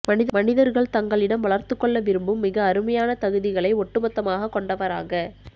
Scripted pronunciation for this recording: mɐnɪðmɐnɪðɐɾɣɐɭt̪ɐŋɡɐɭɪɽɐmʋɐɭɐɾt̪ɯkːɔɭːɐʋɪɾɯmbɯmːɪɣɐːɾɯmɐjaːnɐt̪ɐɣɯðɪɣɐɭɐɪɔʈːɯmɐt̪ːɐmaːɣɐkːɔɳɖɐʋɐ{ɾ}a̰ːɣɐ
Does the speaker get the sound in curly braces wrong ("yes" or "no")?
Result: no